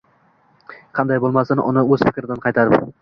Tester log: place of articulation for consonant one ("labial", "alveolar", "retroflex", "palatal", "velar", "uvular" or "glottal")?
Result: uvular